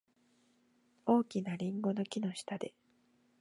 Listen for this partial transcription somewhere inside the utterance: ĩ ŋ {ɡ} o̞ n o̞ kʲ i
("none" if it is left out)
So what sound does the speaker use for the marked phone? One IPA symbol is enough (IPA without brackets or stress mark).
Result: ɡ